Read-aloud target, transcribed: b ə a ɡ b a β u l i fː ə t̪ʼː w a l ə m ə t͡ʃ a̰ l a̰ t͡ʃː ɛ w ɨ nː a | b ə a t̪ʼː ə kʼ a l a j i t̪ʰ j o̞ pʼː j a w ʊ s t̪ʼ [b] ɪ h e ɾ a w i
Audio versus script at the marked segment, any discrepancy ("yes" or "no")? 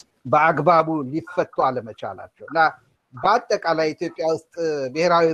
no